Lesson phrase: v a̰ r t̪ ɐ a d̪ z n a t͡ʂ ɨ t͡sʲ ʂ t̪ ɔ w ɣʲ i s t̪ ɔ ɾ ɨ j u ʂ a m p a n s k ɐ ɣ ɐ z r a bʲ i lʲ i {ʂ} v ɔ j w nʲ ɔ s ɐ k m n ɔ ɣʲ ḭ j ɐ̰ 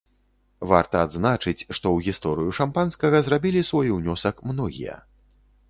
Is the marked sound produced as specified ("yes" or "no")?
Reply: no